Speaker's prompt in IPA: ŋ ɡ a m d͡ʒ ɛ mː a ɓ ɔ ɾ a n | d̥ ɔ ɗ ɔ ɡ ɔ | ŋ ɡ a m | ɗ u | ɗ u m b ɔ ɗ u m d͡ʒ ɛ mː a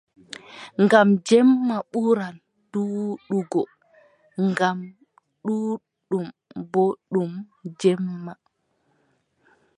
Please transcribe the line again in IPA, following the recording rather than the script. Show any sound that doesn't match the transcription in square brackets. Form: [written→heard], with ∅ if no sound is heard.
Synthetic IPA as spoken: ŋ ɡ a m d͡ʒ ɛ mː a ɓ [ɔ→u] ɾ a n | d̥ [ɔ→u] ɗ [ɔ→u] ɡ ɔ | ŋ ɡ a m | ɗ u | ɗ u m b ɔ ɗ u m d͡ʒ ɛ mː a